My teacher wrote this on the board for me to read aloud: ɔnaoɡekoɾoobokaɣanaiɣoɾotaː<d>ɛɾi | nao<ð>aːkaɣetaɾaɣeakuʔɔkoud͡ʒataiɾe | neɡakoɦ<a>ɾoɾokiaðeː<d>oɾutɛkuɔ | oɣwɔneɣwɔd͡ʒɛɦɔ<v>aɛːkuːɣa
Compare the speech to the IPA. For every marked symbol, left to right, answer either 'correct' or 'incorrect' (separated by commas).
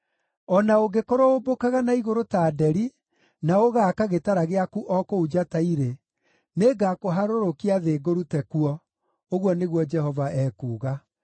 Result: correct, incorrect, correct, incorrect, correct